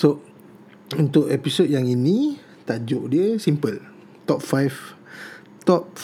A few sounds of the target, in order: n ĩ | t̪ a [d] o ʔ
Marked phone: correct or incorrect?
incorrect